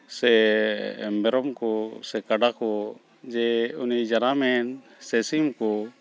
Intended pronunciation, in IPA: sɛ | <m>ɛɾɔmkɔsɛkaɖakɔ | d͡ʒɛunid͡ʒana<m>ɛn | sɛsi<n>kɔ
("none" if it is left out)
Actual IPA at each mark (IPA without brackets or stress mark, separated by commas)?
m, m, m